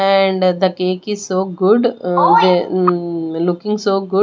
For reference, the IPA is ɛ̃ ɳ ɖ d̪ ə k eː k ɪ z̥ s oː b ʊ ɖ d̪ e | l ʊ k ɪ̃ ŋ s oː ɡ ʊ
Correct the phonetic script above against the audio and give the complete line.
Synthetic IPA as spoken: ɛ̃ ɳ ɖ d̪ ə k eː k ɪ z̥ s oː ɡ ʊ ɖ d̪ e | l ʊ k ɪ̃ ŋ s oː ɡ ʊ